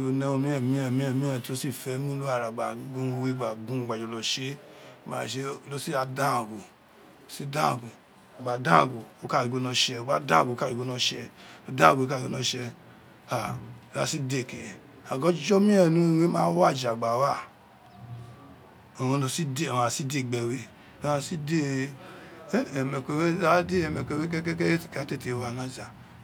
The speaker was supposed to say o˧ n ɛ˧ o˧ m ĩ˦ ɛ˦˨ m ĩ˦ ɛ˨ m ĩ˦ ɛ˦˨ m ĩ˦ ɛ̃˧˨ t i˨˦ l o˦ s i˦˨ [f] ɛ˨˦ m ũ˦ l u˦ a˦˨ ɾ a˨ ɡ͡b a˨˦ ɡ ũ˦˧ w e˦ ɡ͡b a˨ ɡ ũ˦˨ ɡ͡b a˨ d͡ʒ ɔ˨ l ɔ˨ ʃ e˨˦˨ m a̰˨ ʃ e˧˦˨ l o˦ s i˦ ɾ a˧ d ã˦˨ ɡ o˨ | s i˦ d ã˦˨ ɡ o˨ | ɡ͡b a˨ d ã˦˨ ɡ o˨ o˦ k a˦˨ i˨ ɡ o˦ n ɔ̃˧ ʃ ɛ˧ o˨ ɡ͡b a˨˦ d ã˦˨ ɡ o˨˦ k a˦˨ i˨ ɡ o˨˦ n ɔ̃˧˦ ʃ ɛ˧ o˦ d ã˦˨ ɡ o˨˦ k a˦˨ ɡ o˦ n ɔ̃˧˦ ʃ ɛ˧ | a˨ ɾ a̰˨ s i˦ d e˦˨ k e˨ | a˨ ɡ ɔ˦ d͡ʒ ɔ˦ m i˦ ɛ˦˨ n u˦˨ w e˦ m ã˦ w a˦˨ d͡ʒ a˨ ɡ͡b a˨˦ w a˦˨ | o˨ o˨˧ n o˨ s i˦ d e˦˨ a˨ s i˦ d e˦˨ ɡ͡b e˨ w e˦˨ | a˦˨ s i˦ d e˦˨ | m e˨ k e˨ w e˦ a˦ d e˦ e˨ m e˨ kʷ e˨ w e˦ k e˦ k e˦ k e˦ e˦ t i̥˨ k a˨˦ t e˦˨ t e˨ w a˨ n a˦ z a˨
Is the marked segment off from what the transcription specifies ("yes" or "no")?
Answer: no